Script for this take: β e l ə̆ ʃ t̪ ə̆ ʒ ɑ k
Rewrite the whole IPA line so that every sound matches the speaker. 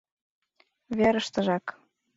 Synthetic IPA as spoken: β e ɾ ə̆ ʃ t̪ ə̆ ʒ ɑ k